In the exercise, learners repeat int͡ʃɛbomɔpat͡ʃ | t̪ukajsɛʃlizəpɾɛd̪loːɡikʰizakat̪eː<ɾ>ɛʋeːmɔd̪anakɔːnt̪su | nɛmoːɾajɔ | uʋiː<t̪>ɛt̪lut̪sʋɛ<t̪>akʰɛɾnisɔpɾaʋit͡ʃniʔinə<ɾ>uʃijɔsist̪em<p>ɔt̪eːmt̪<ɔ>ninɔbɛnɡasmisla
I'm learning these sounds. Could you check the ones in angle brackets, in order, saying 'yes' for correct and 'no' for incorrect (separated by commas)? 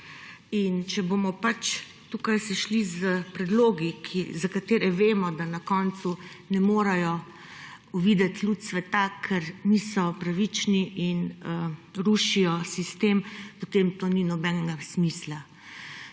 yes, no, yes, yes, yes, no